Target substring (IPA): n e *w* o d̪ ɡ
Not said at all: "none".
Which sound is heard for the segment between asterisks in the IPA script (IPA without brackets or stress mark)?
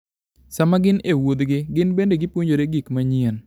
w